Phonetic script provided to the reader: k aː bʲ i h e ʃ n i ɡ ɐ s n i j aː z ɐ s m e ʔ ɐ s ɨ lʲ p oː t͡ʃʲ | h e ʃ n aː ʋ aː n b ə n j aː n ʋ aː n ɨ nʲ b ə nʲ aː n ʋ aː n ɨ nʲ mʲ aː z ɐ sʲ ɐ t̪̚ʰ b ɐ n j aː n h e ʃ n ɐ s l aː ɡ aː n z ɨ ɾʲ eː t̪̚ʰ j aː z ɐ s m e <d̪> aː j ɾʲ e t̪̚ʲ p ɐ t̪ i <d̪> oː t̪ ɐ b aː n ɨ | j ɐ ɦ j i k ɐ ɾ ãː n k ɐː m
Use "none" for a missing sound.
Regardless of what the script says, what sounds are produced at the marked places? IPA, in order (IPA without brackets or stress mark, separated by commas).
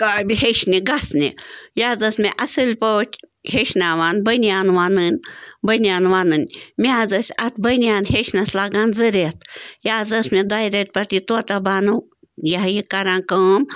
d̪, t̪